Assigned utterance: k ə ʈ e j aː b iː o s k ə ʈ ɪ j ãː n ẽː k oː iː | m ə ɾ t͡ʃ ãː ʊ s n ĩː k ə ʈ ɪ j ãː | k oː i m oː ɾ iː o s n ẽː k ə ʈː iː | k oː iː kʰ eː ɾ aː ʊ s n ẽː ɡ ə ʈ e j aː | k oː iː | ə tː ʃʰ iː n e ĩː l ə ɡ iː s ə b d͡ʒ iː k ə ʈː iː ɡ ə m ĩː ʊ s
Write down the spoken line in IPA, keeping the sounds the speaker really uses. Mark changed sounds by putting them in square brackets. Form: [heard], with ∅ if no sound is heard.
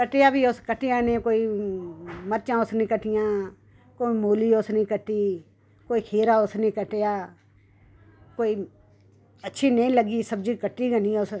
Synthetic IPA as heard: k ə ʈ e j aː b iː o s k ə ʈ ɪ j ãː n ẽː k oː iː | m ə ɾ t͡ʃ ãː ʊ s n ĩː k ə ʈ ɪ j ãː | k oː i m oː [l] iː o s n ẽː k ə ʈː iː | k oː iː kʰ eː ɾ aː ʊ s n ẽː [k] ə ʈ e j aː | k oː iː | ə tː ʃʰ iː n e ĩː l ə ɡ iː s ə b d͡ʒ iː k ə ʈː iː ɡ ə [n] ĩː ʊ s

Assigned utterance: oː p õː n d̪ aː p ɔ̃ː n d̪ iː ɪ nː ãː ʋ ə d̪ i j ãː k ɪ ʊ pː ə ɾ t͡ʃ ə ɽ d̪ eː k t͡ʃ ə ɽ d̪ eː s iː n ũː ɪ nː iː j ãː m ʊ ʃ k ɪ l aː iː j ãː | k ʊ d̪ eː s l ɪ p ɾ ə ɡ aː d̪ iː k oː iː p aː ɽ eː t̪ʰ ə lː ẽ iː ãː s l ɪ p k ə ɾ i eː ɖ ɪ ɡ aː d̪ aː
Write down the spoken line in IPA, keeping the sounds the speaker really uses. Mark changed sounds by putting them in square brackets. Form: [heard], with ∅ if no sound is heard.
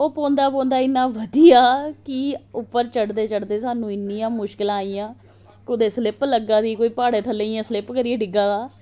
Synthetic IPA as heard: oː p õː n d̪ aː p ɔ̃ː n d̪ [aː] ɪ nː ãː ʋ ə d̪ i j [aː] k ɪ ʊ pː ə ɾ t͡ʃ ə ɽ d̪ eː [∅] t͡ʃ ə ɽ d̪ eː s [aː] n ũː ɪ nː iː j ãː m ʊ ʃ k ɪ l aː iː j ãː | k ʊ d̪ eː s l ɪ p [l] ə ɡ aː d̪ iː k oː iː p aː ɽ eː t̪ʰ ə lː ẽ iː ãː s l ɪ p k ə ɾ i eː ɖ ɪ ɡ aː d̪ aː

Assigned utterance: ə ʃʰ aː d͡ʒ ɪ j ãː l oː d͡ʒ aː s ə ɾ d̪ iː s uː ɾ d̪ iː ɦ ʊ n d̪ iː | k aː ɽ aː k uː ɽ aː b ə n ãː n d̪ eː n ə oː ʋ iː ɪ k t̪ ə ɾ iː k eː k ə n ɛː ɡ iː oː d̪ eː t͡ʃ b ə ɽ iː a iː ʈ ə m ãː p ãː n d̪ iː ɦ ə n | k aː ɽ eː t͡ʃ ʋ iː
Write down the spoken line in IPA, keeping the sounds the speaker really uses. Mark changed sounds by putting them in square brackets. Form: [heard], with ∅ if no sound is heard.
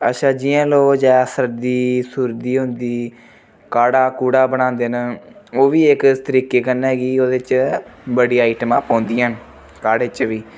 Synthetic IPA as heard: ə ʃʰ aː d͡ʒ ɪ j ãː l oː d͡ʒ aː s ə ɾ d̪ iː s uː ɾ d̪ iː ɦ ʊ n d̪ iː | k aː ɽ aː k uː ɽ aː b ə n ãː n d̪ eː n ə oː ʋ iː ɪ k t̪ ə ɾ iː k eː k ə n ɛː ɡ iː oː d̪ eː t͡ʃ b ə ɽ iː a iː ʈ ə m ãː p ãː n d̪ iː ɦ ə n | k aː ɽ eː t͡ʃ ʋ iː

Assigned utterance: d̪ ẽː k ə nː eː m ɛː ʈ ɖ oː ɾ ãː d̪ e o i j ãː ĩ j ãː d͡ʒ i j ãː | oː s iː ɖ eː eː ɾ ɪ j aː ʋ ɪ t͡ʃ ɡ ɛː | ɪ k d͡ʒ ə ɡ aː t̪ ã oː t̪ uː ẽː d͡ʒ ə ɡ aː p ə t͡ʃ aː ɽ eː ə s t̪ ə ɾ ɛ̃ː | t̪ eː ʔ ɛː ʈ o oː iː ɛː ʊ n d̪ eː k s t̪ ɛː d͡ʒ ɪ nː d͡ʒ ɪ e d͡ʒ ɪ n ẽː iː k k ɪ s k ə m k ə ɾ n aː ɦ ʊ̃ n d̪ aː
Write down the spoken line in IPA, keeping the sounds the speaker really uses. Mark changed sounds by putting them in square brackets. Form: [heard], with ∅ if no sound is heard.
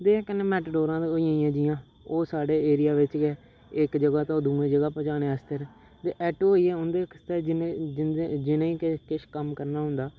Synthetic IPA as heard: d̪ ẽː k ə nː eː m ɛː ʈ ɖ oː ɾ ãː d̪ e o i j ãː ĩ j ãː d͡ʒ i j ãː | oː s [aː] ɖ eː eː ɾ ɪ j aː ʋ ɪ t͡ʃ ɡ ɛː | ɪ k d͡ʒ ə ɡ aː t̪ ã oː [d̪] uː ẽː d͡ʒ ə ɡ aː p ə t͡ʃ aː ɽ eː ə s t̪ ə ɾ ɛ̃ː | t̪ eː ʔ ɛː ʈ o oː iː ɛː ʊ n d̪ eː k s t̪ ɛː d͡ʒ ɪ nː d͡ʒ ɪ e d͡ʒ ɪ n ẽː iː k k ɪ [ʃ] k ə m k ə ɾ n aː ɦ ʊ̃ n d̪ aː

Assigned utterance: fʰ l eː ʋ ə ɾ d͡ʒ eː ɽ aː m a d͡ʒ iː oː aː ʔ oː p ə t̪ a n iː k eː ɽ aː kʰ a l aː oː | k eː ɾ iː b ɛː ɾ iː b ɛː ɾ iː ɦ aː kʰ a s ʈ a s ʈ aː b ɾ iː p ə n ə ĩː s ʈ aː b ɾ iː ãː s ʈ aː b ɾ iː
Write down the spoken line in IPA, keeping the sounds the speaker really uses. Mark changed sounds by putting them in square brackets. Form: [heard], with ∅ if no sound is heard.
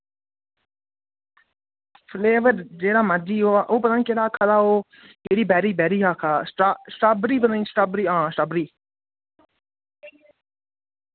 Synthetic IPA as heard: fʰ l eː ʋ ə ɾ d͡ʒ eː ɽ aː m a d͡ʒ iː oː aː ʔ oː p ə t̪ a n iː k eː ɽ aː kʰ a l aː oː | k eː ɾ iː b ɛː ɾ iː b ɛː ɾ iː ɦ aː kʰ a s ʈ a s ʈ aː b ɾ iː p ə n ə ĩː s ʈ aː b ɾ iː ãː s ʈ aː b ɾ iː

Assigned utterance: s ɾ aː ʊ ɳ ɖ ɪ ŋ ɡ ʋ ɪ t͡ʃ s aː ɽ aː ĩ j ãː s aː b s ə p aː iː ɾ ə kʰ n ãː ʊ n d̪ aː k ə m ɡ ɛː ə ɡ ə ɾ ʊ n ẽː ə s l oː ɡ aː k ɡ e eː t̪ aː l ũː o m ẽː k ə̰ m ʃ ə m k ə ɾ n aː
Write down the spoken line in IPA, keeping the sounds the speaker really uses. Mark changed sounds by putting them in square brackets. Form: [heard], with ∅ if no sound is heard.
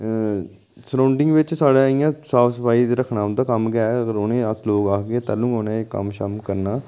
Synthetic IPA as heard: s ɾ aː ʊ ɳ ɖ ɪ ŋ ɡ ʋ ɪ t͡ʃ s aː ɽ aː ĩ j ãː s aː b s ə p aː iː ɾ ə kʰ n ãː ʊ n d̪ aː k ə m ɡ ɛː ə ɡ ə ɾ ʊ n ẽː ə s l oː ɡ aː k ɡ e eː t̪ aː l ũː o [n] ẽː k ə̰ m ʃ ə m k ə ɾ n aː

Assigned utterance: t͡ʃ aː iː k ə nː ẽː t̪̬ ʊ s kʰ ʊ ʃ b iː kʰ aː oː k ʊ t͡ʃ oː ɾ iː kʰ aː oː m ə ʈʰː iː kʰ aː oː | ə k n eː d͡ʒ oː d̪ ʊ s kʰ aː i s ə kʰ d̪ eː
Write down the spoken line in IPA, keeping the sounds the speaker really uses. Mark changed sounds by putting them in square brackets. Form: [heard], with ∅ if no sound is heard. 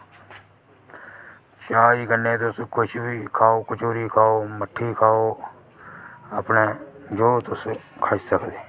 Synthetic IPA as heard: t͡ʃ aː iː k ə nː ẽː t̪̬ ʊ s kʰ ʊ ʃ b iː kʰ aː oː k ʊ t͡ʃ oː ɾ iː kʰ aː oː m ə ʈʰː iː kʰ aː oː | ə [p] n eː d͡ʒ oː [t̪] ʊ s kʰ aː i s ə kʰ d̪ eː

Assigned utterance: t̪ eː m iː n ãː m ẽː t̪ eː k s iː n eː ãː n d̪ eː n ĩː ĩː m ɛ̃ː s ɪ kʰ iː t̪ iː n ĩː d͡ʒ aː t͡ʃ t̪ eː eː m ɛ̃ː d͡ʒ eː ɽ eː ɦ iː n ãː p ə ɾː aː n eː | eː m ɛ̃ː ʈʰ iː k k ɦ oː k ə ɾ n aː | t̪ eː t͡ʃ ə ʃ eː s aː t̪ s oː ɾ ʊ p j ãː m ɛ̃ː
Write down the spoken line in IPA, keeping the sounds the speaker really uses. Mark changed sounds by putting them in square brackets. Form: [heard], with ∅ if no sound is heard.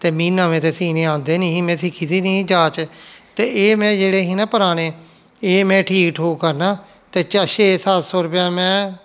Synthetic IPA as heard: t̪ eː m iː n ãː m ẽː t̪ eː [∅] s iː n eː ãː n d̪ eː n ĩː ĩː m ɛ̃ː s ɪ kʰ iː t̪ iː n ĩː d͡ʒ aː t͡ʃ t̪ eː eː m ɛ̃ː d͡ʒ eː ɽ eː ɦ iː n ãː p ə [ɾ] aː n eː | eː m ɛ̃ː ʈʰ iː k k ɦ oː k ə ɾ n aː | t̪ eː t͡ʃ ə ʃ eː s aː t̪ s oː ɾ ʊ p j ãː m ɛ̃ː

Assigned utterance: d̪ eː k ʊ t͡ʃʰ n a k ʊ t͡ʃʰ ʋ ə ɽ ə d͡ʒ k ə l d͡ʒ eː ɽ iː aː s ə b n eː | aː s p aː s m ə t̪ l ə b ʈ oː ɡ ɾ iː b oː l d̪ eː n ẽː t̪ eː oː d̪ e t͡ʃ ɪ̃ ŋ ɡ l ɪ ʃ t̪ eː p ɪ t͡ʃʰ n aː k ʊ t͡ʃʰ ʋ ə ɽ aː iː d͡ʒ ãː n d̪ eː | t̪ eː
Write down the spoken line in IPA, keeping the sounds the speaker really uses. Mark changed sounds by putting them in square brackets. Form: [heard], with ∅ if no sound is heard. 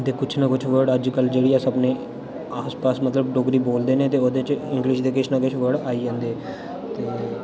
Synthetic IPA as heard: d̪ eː k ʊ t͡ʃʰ n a k ʊ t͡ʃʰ ʋ ə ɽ ə d͡ʒ k ə l d͡ʒ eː ɽ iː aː s ə b n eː | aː s p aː s m ə t̪ l ə b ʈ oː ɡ ɾ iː b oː l d̪ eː n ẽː t̪ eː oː d̪ e t͡ʃ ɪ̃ ŋ ɡ l ɪ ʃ [d̪] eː [k] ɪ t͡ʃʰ n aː k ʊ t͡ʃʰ ʋ ə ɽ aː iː d͡ʒ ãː n d̪ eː | t̪ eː

